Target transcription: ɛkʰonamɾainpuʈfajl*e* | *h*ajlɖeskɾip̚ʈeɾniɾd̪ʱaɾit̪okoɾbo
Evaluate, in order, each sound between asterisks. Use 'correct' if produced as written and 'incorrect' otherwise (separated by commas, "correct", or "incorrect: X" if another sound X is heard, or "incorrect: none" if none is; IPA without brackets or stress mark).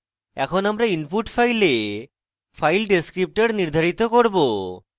correct, incorrect: f